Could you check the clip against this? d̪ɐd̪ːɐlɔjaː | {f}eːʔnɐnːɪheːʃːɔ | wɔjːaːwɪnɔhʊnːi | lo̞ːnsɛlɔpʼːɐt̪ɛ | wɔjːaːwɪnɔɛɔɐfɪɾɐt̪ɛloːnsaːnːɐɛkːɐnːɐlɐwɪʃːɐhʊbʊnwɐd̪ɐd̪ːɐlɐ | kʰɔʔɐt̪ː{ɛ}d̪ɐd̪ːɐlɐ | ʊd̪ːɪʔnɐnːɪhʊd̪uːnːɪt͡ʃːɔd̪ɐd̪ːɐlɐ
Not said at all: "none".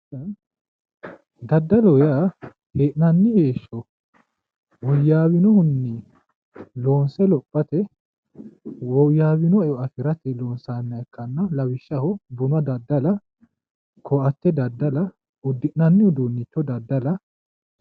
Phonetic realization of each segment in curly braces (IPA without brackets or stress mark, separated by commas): h, ɛ